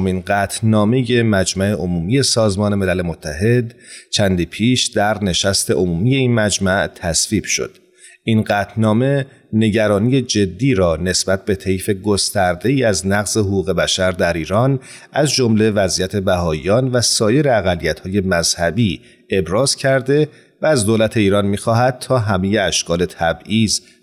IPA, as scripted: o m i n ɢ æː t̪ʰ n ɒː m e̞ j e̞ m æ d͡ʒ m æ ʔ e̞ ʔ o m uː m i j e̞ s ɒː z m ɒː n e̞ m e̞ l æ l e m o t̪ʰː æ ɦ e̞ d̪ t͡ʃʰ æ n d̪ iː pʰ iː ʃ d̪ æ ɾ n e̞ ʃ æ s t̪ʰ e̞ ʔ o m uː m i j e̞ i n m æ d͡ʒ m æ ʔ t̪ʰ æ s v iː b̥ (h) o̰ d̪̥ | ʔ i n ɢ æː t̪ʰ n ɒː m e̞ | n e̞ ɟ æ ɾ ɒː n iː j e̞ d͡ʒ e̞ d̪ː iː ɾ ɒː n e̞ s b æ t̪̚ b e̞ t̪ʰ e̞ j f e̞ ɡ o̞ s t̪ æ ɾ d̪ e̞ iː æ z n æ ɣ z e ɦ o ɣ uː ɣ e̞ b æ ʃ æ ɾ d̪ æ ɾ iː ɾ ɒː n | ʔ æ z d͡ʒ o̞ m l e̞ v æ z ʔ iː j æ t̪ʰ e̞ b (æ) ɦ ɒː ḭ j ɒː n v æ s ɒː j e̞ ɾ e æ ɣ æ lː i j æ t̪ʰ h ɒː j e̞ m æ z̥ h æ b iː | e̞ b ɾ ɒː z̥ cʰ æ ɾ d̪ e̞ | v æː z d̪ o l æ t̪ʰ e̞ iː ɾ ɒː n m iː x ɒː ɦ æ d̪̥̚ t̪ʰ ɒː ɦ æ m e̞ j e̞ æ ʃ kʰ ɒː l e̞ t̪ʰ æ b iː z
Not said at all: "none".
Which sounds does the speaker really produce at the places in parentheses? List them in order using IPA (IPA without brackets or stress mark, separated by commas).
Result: ʃ, æ